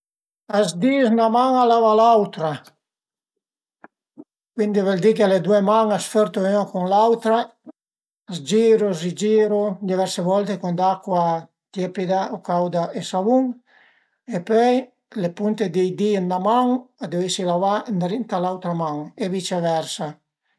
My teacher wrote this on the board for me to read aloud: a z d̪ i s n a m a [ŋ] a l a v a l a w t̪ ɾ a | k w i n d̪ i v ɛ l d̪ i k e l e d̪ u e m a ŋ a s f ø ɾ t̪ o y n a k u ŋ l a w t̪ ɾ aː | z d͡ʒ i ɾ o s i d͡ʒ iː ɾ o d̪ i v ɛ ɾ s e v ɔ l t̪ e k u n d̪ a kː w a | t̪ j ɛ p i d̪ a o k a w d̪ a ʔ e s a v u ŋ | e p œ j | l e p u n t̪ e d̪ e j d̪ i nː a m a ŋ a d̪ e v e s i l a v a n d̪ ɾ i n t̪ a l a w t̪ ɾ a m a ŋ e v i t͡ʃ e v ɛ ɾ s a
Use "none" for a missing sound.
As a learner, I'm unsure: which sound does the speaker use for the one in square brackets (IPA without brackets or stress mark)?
ŋ